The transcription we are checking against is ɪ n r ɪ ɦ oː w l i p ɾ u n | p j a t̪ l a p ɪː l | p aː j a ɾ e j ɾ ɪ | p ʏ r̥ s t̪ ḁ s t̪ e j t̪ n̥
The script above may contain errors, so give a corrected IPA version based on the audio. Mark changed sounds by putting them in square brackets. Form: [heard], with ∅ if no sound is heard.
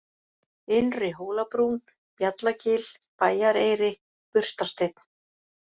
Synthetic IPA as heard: ɪ n r ɪ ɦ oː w l [a] p ɾ u n | p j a t̪ l a [c] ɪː l | p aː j a ɾ e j ɾ ɪ | p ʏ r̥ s t̪ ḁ s t̪ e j t̪ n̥